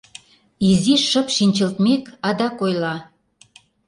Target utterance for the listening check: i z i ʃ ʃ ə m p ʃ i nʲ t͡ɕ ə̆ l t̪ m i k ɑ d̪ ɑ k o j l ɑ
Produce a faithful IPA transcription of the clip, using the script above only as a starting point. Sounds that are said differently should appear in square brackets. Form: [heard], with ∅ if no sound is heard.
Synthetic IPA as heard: i z i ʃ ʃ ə [∅] p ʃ i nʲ t͡ɕ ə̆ l t̪ m [e] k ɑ d̪ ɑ k o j l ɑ